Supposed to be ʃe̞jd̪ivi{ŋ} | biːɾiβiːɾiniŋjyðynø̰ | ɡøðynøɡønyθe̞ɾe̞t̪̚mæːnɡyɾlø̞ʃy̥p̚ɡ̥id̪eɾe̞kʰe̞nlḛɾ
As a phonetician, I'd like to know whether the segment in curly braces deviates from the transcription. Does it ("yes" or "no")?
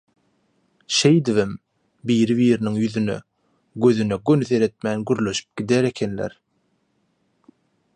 yes